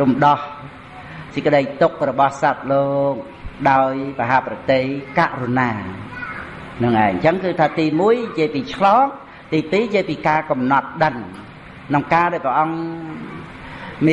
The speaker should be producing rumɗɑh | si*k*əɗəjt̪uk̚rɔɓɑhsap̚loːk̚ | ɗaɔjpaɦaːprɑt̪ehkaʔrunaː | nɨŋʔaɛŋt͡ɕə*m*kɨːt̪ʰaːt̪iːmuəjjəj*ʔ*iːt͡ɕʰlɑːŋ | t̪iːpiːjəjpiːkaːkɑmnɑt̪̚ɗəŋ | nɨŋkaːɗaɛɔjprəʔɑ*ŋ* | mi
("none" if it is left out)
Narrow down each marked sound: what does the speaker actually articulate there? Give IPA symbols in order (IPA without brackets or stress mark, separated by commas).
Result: k, ŋ, p, ŋ